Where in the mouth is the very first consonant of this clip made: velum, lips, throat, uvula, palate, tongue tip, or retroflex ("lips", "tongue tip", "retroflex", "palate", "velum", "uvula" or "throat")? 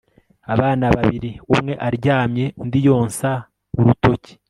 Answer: lips